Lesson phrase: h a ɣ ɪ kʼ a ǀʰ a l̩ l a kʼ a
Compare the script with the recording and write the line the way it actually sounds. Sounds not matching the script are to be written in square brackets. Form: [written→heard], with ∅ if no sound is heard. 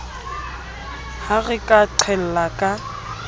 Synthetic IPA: h a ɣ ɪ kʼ a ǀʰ [a→ɛ] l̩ l a kʼ a